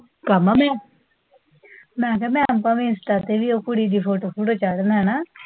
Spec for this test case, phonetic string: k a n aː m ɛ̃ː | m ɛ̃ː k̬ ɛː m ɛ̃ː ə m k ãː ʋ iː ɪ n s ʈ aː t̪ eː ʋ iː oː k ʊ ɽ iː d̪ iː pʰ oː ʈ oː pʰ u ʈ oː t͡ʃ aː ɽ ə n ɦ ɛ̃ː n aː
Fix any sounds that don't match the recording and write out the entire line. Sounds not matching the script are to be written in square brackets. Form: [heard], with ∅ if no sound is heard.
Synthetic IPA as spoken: k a [m] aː m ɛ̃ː | m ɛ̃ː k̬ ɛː m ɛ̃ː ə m [p] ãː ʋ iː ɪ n s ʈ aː t̪ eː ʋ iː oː k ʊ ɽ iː d̪ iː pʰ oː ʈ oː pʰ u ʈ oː t͡ʃ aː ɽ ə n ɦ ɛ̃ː n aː